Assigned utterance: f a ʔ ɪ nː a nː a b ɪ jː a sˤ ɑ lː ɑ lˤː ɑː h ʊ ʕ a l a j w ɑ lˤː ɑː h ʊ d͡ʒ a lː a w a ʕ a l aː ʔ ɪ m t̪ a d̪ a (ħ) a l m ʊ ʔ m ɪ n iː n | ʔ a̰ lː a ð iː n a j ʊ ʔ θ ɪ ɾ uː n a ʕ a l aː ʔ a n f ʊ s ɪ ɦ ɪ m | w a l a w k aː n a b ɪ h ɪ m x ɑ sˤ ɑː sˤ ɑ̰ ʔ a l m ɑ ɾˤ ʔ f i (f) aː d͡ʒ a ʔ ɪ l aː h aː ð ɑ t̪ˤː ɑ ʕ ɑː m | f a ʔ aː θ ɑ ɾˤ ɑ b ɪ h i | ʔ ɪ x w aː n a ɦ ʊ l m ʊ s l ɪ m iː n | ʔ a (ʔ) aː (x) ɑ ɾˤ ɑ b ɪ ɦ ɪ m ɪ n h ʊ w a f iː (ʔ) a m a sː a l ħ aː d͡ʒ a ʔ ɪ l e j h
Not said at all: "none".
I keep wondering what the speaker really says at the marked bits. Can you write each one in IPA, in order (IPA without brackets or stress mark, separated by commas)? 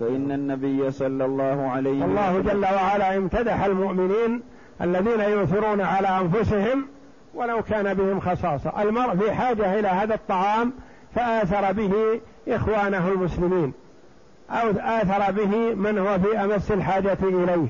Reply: ħ, ħ, ʔ, θ, ʔ